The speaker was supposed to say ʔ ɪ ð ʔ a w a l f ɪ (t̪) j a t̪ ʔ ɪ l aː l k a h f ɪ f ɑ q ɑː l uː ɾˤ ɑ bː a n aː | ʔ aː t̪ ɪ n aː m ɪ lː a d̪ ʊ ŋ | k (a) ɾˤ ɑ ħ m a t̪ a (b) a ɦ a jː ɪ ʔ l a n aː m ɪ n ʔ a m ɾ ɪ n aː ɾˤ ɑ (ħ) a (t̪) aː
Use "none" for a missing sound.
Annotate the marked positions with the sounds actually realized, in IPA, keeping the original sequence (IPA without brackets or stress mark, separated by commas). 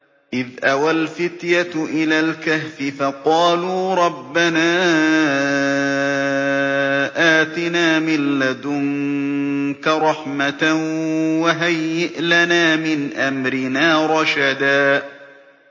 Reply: t̪, a, w, ʃ, d̪